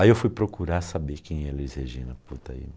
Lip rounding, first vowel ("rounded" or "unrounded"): unrounded